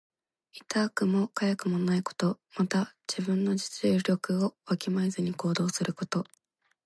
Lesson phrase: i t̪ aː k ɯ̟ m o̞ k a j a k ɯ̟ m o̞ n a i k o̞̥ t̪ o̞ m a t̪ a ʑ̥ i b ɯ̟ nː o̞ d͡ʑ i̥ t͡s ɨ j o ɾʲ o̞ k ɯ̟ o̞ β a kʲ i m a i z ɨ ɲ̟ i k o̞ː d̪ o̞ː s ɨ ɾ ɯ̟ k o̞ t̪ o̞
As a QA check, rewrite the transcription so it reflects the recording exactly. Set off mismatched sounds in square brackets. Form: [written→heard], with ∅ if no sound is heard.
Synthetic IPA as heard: i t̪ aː k ɯ̟ m o̞ k a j a k ɯ̟ m o̞ n a i k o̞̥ t̪ o̞ m a t̪ a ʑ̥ i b [ɯ̟→ɯ̟̃] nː o̞ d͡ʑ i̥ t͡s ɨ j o ɾʲ o̞ k ɯ̟ o̞ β a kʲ i m a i z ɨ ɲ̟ i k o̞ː d̪ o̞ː s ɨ ɾ ɯ̟ k o̞ t̪ o̞